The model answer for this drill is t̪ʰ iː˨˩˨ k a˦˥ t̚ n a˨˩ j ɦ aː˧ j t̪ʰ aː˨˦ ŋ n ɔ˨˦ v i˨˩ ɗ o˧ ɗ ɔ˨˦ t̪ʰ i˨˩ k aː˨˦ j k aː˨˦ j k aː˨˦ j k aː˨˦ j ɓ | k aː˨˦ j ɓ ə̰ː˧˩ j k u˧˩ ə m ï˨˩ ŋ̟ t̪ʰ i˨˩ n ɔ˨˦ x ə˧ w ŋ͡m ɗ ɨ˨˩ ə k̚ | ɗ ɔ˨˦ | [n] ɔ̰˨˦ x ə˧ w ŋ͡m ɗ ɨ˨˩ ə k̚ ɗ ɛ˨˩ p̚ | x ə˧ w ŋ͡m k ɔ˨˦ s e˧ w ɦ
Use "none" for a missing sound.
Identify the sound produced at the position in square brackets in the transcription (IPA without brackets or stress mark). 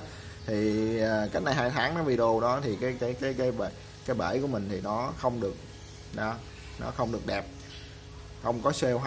n